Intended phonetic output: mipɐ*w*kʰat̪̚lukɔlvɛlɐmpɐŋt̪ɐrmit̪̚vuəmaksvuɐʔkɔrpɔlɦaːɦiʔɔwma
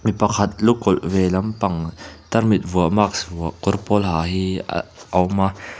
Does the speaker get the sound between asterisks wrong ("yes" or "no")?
yes